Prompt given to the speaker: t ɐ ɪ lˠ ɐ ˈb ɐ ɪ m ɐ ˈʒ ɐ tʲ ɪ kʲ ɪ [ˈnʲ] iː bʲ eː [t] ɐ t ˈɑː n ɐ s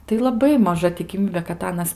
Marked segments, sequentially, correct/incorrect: incorrect: mʲ, incorrect: k

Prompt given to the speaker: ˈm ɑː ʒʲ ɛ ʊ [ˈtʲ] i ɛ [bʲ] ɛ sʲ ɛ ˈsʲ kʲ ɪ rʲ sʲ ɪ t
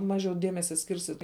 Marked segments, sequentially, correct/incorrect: incorrect: dʲ, incorrect: mʲ

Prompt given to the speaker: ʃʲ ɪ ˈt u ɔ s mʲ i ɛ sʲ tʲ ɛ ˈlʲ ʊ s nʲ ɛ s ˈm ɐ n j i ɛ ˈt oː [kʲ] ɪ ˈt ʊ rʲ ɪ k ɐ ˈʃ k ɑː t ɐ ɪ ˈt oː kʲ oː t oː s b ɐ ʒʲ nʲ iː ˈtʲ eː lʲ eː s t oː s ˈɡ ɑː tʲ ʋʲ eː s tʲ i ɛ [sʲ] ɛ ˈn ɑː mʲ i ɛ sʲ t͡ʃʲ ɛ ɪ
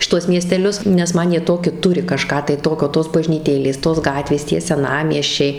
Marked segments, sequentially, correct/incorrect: correct, correct

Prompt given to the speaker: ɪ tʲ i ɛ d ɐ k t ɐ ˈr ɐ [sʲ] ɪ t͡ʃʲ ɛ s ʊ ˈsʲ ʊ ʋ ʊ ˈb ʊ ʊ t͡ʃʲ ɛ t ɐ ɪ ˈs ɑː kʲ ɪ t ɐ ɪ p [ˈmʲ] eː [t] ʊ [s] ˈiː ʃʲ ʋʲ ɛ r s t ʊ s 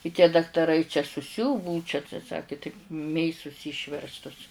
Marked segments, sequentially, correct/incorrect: incorrect: none, correct, incorrect: s, correct

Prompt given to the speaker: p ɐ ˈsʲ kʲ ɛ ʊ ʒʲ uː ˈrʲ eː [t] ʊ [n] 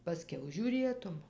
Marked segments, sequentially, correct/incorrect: correct, incorrect: m

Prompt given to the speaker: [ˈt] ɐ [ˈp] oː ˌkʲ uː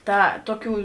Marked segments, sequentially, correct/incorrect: correct, incorrect: t

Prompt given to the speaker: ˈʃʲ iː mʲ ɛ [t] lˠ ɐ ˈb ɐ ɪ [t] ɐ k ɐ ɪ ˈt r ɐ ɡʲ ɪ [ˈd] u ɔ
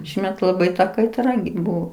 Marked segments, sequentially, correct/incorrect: correct, correct, incorrect: b

